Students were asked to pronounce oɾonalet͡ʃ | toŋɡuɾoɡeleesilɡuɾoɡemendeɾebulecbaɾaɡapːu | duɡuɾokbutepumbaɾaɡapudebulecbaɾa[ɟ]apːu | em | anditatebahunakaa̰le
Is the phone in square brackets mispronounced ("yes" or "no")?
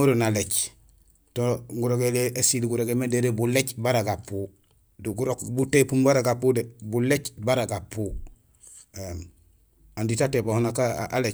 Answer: yes